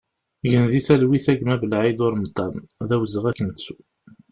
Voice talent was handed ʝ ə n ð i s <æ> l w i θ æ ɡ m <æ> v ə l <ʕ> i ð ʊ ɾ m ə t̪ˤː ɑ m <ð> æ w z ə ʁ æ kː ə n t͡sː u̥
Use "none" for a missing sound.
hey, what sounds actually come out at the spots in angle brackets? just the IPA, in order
æ, æ, ʕ, ð

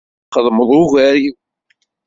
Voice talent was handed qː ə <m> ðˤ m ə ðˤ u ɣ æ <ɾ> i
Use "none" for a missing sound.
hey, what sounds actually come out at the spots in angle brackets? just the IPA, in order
none, ɾ

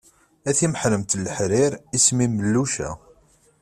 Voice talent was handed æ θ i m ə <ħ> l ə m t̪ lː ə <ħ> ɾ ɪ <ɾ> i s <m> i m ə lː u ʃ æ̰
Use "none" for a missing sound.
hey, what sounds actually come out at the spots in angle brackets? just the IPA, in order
ħ, ħ, ɾ, m

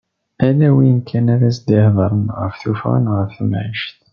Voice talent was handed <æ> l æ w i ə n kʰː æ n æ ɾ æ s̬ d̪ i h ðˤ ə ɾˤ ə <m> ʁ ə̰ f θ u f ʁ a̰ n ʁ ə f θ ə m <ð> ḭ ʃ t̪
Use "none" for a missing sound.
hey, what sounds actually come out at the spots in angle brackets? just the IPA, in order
æ, n, ʕ

